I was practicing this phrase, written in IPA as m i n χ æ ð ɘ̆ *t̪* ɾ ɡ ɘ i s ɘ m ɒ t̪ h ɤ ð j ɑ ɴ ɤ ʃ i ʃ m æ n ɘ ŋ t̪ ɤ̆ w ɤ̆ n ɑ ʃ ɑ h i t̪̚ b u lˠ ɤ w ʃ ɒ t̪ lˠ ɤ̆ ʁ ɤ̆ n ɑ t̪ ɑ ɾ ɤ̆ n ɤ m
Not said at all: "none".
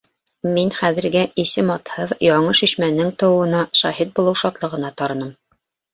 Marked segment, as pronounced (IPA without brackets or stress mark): none